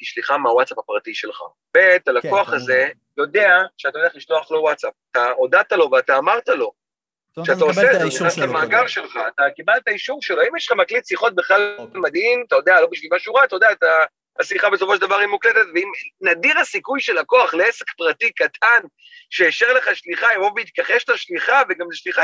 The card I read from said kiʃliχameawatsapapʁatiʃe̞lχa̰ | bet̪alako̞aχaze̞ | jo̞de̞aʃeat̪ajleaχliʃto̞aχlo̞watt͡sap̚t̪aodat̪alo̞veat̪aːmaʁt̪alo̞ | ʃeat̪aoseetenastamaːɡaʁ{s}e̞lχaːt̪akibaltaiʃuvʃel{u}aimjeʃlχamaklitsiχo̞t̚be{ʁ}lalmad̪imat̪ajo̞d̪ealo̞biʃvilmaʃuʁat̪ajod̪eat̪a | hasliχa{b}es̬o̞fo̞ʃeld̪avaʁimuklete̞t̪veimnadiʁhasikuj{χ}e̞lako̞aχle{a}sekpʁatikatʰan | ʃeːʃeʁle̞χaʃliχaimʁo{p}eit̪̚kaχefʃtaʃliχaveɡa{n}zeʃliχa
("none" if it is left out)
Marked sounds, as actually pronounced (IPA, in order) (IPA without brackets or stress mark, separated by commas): ʃ, o, χ, b, ʃ, e, b, m